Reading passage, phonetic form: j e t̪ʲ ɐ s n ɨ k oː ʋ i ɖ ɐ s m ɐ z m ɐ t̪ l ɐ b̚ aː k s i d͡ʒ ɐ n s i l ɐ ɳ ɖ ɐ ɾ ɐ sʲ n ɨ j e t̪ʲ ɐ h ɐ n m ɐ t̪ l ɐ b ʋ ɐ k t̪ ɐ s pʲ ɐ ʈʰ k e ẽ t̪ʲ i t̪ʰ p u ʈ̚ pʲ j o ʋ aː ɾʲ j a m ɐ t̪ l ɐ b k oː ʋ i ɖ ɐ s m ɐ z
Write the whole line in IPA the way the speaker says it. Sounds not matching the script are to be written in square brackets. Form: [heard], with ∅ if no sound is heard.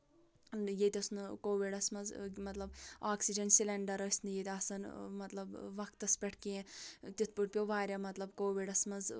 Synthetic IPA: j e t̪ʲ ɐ s n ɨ k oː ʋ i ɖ ɐ s m ɐ z m ɐ t̪ l ɐ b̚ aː k s i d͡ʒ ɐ n s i l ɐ ɳ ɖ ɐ ɾ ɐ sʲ n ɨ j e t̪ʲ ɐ [s] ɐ n m ɐ t̪ l ɐ b ʋ ɐ k t̪ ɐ s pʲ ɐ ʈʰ k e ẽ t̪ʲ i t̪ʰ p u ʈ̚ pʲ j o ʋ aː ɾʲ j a m ɐ t̪ l ɐ b k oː ʋ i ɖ ɐ s m ɐ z